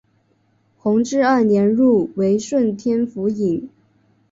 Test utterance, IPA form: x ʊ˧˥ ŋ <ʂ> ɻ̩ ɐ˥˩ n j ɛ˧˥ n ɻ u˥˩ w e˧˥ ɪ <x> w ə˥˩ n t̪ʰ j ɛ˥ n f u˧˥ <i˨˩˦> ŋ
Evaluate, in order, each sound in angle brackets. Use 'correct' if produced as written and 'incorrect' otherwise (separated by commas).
incorrect, incorrect, correct